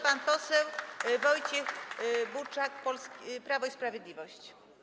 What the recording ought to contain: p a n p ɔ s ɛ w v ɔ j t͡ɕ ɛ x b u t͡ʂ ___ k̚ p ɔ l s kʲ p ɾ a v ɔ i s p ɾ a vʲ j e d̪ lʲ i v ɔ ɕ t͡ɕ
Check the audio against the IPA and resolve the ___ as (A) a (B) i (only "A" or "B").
A